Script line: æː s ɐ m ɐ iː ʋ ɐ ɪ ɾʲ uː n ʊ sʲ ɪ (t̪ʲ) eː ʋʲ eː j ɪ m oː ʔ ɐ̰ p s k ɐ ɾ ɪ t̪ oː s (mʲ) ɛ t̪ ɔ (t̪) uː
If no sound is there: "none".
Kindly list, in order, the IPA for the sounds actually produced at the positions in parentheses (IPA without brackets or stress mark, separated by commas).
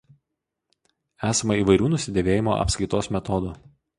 d̪ʲ, mʲ, d̪